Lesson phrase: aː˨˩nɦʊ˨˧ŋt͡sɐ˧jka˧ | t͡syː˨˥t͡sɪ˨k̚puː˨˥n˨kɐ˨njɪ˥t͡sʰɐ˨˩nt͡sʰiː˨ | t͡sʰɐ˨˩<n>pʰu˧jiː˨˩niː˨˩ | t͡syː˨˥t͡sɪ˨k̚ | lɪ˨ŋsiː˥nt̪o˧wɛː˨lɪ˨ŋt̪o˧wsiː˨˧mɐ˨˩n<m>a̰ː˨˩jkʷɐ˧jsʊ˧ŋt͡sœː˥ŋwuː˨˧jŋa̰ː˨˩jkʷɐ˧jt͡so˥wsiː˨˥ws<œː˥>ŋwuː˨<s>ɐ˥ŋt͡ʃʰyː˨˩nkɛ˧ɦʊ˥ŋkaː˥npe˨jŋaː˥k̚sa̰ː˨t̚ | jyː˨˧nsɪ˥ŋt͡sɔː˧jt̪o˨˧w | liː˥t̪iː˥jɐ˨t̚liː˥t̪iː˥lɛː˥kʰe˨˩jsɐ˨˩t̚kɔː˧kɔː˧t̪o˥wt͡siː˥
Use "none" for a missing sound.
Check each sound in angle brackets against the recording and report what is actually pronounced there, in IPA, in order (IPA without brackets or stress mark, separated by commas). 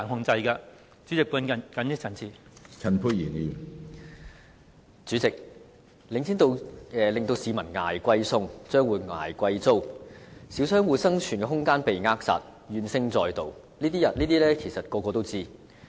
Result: n, ŋ, œː˥, s